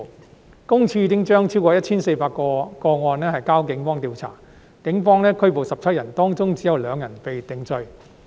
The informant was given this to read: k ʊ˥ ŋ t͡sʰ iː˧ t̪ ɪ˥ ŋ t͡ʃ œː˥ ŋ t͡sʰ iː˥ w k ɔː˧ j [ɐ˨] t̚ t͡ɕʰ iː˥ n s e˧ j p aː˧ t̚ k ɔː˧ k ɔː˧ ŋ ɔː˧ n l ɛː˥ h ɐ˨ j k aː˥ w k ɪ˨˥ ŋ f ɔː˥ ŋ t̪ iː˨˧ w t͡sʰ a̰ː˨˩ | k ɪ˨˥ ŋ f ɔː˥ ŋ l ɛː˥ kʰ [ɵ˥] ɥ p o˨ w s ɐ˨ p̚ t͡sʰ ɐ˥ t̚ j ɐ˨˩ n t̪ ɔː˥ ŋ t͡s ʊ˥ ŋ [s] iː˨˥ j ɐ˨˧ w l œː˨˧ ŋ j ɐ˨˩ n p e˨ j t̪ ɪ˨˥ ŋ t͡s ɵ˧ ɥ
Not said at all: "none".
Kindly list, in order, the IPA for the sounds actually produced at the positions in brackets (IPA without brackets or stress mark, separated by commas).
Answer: ɐ˥, ɵ˥, t͡s